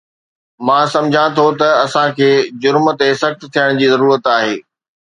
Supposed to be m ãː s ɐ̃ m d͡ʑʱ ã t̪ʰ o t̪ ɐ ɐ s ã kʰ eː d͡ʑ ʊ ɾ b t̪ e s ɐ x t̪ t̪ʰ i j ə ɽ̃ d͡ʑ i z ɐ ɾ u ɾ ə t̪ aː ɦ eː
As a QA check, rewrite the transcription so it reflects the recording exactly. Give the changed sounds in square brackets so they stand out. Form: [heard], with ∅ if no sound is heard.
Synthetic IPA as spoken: m ãː s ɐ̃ m d͡ʑʱ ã t̪ʰ o t̪ ɐ ɐ s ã kʰ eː d͡ʑ ʊ ɾ [m] t̪ e s ɐ x t̪ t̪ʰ i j ə ɽ̃ d͡ʑ [iː] z ɐ ɾ [uː] ɾ ə t̪ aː ɦ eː